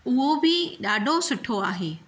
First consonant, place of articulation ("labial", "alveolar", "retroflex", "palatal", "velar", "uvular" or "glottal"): glottal